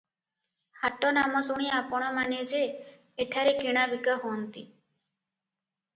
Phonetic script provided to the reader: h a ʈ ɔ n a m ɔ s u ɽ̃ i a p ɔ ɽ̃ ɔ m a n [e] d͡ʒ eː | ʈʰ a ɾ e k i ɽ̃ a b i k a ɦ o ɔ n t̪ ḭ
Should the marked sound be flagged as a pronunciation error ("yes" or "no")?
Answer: no